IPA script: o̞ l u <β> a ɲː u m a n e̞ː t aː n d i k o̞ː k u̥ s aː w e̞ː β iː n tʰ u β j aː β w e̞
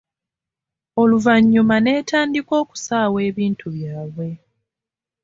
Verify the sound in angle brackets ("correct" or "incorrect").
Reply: incorrect